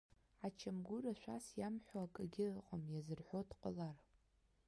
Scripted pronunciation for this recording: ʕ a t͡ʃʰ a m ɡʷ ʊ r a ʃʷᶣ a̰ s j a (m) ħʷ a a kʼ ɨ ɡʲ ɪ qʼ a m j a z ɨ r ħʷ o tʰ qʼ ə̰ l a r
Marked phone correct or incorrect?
correct